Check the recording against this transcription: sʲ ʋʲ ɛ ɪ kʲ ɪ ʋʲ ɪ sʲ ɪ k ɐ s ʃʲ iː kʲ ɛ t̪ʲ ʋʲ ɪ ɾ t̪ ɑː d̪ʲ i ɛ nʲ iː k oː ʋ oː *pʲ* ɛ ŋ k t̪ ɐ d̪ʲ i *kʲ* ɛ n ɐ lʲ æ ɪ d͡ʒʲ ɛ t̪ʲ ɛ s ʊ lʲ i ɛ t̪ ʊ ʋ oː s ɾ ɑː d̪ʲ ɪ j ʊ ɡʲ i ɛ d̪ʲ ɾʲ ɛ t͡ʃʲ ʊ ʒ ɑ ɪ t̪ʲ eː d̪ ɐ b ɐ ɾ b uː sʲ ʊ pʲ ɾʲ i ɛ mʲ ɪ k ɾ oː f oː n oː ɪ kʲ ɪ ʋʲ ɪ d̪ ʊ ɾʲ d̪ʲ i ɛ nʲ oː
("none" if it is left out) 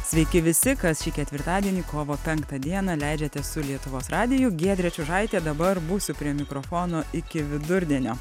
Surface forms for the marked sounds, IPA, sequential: pʲ, none

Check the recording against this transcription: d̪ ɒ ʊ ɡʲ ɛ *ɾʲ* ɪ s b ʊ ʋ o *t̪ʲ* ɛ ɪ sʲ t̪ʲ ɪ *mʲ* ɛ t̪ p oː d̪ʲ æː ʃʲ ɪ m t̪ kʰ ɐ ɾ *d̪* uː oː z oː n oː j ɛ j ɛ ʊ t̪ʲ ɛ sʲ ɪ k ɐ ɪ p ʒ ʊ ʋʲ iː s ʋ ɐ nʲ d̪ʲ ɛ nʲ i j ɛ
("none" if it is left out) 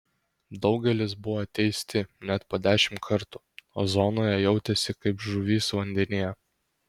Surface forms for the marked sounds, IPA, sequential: lʲ, t̪ʲ, nʲ, t̪

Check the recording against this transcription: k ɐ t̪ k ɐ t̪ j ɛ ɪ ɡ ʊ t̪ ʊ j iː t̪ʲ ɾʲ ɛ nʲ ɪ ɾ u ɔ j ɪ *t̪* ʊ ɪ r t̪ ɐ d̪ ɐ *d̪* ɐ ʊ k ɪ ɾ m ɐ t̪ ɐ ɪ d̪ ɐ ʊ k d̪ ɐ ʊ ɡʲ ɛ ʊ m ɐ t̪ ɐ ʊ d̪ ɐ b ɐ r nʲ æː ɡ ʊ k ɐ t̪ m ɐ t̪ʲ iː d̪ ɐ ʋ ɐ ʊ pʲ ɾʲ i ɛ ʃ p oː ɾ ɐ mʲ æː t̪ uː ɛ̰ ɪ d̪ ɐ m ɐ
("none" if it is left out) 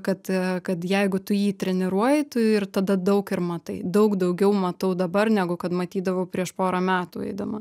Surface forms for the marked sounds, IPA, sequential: t̪, d̪

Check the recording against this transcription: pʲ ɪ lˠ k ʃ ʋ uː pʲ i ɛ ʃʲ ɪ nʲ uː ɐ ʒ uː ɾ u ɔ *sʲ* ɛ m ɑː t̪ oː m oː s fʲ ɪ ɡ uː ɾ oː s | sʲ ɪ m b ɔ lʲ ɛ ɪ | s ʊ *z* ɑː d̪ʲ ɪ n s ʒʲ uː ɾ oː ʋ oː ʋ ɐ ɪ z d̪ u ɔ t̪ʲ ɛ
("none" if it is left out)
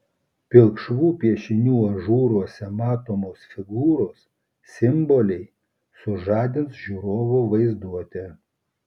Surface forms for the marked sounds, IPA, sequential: sʲ, ʒ

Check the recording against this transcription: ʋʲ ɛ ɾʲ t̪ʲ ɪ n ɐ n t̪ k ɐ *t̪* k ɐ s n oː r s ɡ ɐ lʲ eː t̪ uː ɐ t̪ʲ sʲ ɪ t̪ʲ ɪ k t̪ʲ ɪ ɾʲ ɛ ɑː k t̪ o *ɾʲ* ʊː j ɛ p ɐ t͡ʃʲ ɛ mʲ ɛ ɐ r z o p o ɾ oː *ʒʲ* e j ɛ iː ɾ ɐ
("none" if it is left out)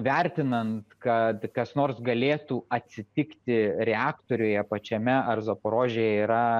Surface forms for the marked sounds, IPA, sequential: t̪, ɾʲ, ʒʲ

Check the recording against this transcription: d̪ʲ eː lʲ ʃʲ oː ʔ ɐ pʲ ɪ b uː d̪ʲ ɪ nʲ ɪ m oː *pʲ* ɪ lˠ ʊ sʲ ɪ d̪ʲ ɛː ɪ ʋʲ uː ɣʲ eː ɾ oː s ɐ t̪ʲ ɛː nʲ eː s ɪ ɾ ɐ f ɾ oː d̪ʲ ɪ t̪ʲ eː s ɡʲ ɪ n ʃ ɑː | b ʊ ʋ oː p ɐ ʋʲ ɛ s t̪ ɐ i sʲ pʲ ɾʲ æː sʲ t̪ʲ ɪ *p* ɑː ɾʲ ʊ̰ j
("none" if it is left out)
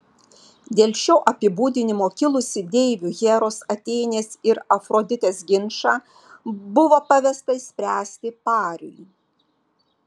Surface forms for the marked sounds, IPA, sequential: kʲ, p

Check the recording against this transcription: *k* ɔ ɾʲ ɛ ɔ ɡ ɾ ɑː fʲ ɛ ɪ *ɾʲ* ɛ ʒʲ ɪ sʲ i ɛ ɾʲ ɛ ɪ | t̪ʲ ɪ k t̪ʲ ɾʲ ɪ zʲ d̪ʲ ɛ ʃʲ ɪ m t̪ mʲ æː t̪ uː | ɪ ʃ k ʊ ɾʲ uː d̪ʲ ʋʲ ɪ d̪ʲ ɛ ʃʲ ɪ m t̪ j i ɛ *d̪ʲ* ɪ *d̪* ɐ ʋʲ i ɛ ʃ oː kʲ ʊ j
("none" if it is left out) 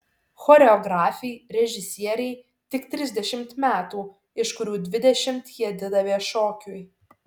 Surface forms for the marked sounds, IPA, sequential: x, ɾʲ, d̪ʲ, d̪

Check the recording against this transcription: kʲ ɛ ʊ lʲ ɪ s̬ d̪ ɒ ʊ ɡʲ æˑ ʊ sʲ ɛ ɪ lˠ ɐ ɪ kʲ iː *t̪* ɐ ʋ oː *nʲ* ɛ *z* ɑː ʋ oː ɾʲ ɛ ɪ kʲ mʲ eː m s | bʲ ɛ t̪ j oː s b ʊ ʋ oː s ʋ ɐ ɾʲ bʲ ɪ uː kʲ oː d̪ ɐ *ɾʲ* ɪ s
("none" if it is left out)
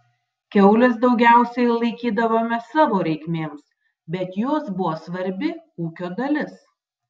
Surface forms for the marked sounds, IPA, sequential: d̪, mʲ, s, lʲ

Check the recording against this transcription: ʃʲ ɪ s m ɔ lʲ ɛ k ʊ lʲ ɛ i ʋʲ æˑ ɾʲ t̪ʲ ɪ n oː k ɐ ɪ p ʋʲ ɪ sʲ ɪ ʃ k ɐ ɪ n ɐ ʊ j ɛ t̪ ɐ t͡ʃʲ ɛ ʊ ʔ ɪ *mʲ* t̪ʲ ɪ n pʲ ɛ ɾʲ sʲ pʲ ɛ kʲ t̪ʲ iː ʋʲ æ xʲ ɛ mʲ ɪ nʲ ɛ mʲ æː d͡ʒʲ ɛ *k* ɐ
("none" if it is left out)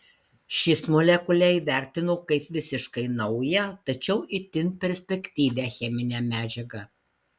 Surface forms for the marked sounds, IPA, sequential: none, ɡ

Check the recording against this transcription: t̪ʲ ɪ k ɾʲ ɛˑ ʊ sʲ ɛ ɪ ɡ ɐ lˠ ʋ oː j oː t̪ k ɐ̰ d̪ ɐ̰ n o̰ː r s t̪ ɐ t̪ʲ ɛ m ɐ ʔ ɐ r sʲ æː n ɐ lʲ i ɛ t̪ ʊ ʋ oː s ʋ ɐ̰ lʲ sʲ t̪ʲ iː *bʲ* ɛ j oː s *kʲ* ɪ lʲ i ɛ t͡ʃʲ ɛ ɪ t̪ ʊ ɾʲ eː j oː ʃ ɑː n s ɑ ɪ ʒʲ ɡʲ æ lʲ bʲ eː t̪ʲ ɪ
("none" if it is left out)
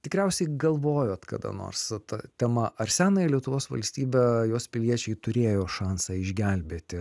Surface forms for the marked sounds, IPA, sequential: bʲ, pʲ

